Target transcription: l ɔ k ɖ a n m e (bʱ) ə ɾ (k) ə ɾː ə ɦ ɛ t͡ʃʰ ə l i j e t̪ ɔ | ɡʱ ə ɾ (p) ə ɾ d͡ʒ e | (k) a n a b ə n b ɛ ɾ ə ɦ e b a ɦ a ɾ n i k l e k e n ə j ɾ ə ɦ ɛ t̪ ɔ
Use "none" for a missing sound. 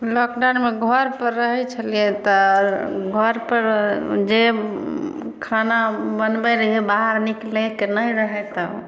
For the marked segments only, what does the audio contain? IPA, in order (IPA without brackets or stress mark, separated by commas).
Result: ɡʱ, p, p, kʰ